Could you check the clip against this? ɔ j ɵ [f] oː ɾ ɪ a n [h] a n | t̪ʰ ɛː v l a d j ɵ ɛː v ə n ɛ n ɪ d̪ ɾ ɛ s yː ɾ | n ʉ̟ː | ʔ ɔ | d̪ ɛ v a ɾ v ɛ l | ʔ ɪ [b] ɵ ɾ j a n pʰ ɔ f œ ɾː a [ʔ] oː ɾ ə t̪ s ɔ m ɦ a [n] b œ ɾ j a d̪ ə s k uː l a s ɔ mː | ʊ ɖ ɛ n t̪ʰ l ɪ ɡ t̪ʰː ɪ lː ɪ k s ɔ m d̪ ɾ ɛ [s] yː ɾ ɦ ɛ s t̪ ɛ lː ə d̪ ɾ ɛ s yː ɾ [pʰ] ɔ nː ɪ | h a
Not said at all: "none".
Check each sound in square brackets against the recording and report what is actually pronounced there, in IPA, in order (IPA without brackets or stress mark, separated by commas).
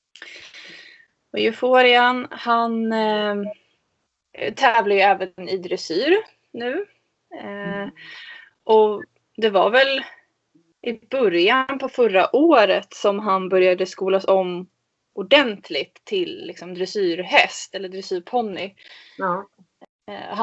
f, h, b, ʔ, n, s, pʰ